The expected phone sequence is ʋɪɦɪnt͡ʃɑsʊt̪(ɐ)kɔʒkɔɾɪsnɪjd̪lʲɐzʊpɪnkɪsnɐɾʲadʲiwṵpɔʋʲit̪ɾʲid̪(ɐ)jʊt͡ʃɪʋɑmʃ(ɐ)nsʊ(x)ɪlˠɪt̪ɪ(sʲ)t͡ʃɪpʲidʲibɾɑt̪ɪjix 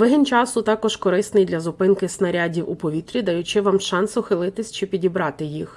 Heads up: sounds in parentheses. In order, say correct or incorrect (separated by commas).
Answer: incorrect, correct, incorrect, correct, correct